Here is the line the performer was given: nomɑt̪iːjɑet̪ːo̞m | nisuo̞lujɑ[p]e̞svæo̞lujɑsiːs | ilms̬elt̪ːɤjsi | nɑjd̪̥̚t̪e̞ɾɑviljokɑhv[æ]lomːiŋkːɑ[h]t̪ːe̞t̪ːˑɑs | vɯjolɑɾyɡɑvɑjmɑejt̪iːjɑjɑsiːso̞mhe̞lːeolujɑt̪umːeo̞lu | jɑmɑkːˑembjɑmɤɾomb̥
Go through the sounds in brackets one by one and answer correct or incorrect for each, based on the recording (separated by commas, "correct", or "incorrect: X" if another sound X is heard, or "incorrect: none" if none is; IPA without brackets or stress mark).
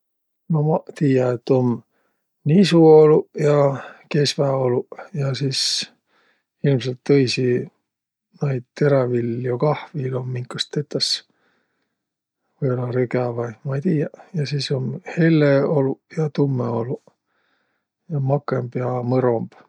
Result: incorrect: k, incorrect: i, incorrect: s